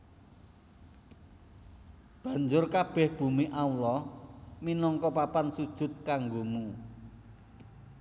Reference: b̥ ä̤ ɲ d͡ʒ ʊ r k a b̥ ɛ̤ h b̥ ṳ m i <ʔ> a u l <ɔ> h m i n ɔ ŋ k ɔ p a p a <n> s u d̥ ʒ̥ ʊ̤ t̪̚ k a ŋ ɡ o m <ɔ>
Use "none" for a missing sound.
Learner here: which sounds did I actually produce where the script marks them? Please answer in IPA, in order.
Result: ʔ, ɔ, n, u

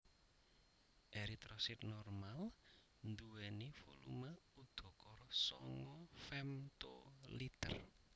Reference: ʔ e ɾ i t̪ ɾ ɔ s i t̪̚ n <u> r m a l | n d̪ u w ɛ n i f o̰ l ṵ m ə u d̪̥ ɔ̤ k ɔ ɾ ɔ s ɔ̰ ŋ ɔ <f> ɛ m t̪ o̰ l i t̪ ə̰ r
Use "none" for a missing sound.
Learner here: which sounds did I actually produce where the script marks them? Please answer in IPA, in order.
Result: ɔ, f

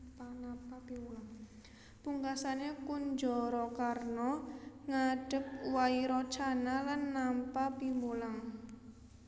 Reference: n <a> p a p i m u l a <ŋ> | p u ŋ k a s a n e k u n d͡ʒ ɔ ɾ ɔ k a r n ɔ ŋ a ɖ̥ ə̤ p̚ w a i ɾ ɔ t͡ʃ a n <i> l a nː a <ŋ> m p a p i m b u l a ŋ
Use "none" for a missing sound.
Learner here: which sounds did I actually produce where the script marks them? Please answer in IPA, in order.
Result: a, ŋ, a, none

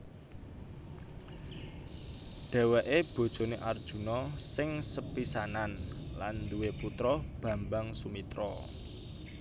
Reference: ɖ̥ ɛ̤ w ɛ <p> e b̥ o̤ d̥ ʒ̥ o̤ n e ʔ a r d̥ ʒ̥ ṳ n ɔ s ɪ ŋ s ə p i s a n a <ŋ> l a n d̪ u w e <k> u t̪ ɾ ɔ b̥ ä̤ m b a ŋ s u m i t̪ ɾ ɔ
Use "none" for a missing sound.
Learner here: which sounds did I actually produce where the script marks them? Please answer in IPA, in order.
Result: ʔ, n, p

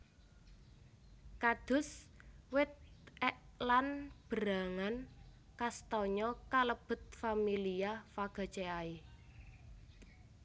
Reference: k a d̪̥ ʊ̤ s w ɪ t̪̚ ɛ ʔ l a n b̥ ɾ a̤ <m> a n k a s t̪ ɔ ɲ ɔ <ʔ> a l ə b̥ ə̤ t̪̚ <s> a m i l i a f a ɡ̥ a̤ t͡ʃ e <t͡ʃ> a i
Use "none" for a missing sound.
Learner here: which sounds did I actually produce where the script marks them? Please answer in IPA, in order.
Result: ŋ, k, f, none

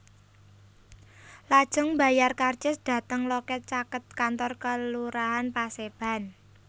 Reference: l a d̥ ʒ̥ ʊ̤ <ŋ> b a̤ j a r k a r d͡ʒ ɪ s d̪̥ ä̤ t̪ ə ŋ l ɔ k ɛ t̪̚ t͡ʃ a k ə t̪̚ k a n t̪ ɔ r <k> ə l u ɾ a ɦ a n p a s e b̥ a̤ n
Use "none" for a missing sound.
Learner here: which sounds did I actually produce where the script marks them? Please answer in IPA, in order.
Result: ŋ, k

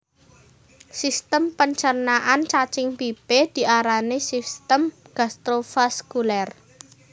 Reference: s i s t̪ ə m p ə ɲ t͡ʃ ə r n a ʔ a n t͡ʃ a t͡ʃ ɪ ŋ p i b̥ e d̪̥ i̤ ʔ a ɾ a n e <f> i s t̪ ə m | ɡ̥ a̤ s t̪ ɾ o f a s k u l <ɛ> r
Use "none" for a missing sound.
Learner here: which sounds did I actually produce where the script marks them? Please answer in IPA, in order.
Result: s, ɛ

